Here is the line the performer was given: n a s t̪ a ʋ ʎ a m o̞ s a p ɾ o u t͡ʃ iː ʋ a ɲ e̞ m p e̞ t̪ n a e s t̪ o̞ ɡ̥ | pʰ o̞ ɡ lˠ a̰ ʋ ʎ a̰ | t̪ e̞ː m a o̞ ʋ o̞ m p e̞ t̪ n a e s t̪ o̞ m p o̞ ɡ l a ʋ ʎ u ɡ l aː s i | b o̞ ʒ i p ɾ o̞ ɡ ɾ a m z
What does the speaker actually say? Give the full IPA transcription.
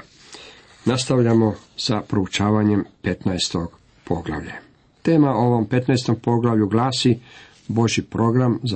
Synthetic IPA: n a s t̪ a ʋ ʎ a m o̞ s a p ɾ o u t͡ʃ aː ʋ a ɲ e̞ m p e̞ t̪ n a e s t̪ o̞ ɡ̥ | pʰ o̞ ɡ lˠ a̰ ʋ ʎ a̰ | t̪ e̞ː m a o̞ ʋ o̞ m p e̞ t̪ n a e s t̪ o̞ m p o̞ ɡ l a ʋ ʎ u ɡ l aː s i | b o̞ ʒ i p ɾ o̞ ɡ ɾ a m z